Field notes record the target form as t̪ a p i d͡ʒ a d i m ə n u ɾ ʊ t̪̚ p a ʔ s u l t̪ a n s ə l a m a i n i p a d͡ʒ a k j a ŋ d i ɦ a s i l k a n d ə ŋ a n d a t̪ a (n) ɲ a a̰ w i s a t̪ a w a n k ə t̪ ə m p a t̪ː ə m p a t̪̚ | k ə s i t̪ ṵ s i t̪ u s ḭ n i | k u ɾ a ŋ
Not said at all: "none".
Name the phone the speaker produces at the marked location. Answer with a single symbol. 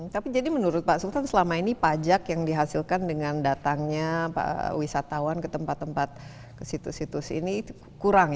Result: ŋ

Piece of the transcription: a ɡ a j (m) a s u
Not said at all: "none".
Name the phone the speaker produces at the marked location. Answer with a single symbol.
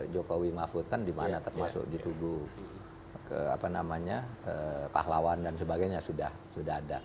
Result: ɲ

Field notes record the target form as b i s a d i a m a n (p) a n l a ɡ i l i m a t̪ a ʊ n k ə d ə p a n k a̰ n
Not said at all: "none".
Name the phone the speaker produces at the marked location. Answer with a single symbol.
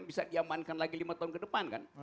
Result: k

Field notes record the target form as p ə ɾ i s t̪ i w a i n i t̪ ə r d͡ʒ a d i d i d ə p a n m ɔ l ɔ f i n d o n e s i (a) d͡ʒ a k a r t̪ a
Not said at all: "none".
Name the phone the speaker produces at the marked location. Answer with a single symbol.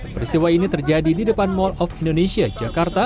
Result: a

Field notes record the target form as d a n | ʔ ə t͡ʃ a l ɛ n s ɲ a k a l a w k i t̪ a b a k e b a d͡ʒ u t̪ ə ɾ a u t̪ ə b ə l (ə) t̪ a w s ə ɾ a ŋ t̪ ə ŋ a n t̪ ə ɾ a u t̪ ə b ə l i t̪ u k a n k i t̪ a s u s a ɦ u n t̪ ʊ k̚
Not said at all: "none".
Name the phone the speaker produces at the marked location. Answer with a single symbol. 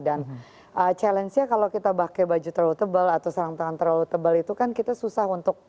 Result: a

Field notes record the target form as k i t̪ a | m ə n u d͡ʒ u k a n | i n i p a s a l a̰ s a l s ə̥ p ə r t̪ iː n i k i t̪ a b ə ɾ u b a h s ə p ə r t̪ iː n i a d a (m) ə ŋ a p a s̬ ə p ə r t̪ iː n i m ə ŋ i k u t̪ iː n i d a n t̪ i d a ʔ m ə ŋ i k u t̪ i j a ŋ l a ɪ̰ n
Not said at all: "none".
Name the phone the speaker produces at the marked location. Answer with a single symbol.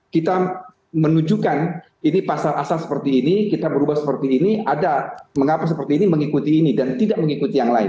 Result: m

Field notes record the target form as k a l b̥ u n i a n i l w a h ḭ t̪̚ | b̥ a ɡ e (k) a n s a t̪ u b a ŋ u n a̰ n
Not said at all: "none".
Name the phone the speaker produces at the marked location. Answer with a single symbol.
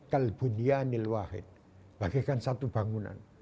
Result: k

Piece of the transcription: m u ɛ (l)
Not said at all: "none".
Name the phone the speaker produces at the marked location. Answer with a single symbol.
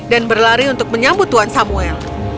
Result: l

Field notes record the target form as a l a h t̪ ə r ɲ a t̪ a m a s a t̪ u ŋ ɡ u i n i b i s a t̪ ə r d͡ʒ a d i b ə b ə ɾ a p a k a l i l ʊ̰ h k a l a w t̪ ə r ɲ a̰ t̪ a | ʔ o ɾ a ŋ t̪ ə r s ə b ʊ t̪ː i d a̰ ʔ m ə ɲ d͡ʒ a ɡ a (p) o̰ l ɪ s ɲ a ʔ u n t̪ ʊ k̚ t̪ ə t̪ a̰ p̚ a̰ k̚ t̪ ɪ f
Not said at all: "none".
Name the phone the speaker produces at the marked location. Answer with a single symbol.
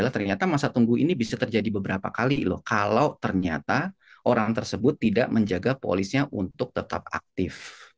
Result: p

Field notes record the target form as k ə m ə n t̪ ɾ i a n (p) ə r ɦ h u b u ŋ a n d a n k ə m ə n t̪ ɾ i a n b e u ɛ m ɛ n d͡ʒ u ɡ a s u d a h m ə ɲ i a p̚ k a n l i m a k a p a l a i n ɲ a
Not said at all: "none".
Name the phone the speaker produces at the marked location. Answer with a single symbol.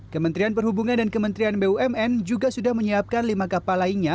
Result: p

